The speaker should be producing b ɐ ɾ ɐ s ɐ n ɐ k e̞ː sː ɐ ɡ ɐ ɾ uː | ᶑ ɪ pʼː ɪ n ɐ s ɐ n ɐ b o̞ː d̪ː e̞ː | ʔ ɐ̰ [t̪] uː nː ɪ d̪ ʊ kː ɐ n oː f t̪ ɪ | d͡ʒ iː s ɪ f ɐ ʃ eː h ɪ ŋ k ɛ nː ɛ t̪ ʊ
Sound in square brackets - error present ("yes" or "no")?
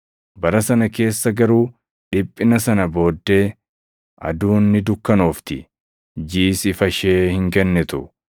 yes